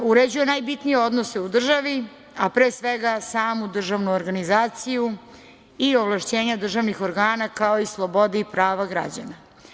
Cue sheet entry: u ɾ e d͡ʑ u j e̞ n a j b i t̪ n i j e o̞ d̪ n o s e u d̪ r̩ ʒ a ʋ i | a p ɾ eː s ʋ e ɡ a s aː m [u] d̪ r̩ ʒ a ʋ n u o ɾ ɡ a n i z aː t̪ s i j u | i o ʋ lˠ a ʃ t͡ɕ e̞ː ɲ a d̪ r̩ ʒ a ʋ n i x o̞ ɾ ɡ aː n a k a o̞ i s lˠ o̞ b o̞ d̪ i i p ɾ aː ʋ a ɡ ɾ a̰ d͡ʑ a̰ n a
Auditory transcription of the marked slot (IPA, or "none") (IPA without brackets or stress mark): u